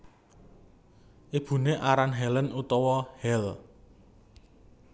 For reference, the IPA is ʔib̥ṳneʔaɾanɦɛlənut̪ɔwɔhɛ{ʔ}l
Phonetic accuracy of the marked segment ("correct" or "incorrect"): incorrect